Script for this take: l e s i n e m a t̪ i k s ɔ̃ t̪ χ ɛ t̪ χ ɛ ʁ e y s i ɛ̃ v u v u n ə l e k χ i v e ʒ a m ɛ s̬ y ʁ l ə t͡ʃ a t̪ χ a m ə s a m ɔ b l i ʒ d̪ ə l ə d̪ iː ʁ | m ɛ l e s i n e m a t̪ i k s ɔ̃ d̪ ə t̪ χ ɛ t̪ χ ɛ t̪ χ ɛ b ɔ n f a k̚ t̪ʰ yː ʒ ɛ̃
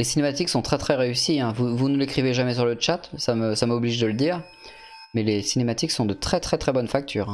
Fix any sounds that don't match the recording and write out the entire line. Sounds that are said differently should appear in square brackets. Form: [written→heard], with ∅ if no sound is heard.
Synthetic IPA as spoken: l e s i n e m a t̪ i k s ɔ̃ t̪ χ ɛ t̪ χ ɛ ʁ e y s i ɛ̃ v u v u n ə l e k χ i v e ʒ a m ɛ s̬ y ʁ l ə t͡ʃ a t̪ [χ→s] a m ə s a m ɔ b l i ʒ d̪ ə l ə d̪ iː ʁ | m ɛ l e s i n e m a t̪ i k s ɔ̃ d̪ ə t̪ χ ɛ t̪ χ ɛ t̪ χ ɛ b ɔ n f a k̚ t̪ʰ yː [ʒ→ʁ] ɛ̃